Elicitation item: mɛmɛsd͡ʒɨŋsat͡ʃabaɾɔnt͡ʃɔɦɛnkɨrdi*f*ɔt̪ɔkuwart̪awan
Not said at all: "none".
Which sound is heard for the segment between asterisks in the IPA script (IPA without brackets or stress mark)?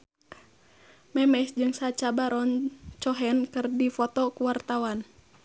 f